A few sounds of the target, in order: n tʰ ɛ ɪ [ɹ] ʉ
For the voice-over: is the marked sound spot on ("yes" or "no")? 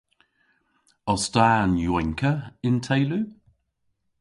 no